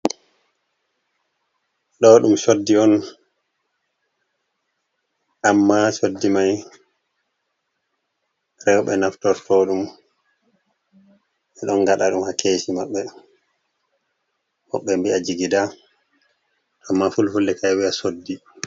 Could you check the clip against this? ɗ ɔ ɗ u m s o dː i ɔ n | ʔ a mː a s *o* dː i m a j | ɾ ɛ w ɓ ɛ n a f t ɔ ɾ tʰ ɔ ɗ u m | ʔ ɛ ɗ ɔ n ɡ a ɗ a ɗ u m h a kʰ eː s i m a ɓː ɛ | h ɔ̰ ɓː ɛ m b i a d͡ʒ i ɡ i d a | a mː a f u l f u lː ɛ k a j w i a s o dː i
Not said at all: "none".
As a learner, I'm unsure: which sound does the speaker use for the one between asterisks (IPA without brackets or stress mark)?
o